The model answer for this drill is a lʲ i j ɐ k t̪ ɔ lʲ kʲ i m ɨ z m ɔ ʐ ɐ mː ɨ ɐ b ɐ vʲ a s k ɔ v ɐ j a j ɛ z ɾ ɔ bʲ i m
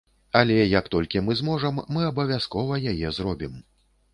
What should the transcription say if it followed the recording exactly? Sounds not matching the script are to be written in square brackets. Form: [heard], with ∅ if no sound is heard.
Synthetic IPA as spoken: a lʲ [ɛ] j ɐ k t̪ ɔ lʲ kʲ i m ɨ z m ɔ ʐ ɐ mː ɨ ɐ b ɐ vʲ a s k ɔ v ɐ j a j ɛ z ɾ ɔ bʲ i m